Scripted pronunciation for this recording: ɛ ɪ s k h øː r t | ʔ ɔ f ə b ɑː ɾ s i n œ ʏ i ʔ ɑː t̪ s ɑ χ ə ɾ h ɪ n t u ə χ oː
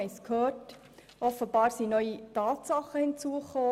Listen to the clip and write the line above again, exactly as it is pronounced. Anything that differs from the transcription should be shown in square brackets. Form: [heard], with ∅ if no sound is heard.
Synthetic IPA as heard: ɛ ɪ s k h øː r t | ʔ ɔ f ə b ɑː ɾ s i n œ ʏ i [t] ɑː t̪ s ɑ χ ə [∅] h ɪ n [t͡s] u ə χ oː

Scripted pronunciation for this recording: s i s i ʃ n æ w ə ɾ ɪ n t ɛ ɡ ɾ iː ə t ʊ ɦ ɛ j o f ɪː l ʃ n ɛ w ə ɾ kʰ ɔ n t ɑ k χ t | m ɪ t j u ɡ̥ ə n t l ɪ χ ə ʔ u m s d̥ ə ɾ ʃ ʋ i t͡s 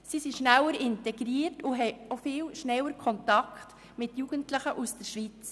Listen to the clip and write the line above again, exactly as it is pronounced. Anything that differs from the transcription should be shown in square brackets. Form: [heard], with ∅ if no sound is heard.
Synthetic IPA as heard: s i s i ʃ n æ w ə ɾ ɪ n t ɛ ɡ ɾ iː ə t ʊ ɦ ɛ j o f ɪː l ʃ n ɛ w ə ɾ kʰ ɔ n t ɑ k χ t | m ɪ t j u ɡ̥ ə n t l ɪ χ ə ʔ u [∅] s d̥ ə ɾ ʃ ʋ i t͡s

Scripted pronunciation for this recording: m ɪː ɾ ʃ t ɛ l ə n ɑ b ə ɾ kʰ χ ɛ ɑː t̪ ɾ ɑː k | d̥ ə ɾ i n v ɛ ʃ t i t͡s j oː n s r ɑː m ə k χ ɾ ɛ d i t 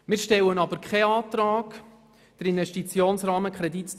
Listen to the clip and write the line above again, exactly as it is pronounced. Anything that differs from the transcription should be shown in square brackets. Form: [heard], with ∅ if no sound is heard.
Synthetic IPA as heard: m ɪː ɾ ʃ t ɛ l ə n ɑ b ə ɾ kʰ χ ɛ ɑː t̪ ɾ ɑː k | d̥ ə ɾ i n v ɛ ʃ t i t͡s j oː n s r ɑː m ə k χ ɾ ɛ d i t

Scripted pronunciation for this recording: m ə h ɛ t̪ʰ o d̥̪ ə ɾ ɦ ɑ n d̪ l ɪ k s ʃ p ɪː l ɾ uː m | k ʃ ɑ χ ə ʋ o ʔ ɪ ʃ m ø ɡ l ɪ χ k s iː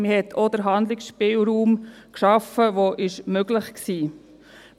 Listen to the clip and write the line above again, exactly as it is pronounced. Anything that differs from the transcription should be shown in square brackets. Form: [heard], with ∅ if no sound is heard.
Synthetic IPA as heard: m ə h ɛ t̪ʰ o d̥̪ ə ɾ ɦ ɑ n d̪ l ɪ k s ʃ p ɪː l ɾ uː m | k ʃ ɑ [f] ə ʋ o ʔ ɪ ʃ m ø ɡ l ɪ χ k s iː

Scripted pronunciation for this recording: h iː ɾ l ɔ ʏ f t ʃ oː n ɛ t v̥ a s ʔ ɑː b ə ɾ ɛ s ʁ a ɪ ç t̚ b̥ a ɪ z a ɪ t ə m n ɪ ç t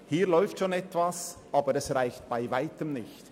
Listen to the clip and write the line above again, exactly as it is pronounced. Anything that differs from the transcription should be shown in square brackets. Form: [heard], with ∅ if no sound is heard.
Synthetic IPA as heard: h iː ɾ l ɔ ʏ f t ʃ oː n ɛ t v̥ a s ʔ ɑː b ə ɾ ɛ s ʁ a ɪ ç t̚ b̥ a ɪ [v] a ɪ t ə m n ɪ ç t

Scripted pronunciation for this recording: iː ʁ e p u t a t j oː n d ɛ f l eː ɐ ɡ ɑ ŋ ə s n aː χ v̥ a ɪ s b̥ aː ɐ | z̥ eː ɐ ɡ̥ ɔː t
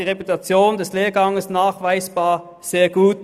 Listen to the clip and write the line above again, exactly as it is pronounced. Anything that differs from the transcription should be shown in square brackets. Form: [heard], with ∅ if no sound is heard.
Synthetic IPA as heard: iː ʁ e p u t a [t͡s] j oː n d ɛ [s] l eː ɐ ɡ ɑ ŋ ə s n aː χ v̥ a ɪ s b̥ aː ɐ | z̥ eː ɐ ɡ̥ [uː] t

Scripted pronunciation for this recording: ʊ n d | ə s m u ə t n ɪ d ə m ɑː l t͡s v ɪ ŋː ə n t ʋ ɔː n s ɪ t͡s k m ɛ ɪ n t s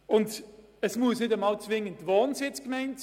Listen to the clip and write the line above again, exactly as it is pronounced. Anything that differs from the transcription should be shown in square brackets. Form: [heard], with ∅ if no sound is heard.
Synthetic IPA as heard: ʊ n d | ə s m u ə [s] n ɪ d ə m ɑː l t͡s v ɪ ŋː ə n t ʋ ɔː n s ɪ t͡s k m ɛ ɪ n t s

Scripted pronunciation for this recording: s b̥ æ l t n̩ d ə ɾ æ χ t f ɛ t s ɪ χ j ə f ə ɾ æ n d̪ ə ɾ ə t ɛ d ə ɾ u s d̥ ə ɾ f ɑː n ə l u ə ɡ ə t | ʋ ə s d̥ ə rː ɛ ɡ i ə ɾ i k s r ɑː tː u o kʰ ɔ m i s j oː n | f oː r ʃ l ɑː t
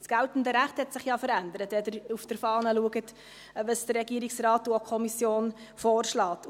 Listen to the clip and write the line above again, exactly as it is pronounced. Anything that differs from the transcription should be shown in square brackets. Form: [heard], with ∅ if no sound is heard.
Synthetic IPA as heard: s [ɡ̥] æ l t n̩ d ə ɾ æ χ t [h] ɛ t s ɪ χ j [ɑ] f ə ɾ æ n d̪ ə ɾ ə t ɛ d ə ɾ u [f] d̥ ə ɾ f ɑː n ə l u ə ɡ ə t | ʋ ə s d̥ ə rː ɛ ɡ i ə ɾ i k s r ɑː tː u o kʰ ɔ m i s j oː n | f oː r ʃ l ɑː t

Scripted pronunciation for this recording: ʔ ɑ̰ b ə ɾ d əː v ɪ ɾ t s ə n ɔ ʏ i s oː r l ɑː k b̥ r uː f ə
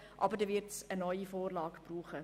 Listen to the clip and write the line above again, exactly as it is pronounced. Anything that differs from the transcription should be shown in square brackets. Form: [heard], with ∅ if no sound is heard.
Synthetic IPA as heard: ʔ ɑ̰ b ə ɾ d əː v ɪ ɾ t s ə n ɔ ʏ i [f] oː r l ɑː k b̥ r uː [χ] ə

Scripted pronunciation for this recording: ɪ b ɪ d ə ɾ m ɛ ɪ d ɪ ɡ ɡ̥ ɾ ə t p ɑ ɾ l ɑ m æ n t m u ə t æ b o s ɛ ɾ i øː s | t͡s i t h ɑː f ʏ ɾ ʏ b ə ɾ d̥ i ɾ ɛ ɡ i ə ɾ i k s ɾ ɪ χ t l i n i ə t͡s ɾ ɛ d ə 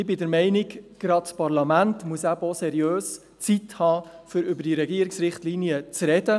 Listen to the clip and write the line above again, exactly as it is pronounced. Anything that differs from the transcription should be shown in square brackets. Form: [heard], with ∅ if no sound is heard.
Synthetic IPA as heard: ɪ b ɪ d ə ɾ m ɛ ɪ [n] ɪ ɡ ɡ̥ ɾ [ɑ] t p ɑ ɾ l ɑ m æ n t m u ə [s] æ b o s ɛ ɾ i øː s | t͡s i t h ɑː f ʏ ɾ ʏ b ə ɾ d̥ i ɾ ɛ ɡ i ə ɾ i k s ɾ ɪ χ t l i n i ə t͡s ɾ ɛ d ə

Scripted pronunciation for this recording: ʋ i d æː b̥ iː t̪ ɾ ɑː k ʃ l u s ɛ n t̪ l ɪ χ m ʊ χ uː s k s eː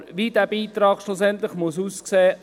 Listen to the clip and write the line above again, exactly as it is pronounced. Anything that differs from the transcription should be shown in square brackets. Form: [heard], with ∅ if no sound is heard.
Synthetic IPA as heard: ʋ i d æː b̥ iː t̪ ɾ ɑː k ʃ l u s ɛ n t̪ l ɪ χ m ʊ [s] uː s k s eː

